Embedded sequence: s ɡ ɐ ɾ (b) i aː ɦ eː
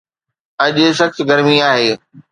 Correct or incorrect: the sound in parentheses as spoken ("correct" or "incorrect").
incorrect